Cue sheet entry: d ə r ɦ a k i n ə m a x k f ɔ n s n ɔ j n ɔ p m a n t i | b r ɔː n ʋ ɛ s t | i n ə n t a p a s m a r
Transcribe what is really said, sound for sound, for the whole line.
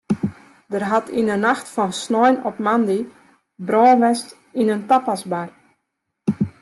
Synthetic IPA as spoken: d ə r ɦ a t i n ə n a x t f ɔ n s n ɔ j n ɔ p m a n d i | b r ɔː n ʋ ɛ s t | i n ə n t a p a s b a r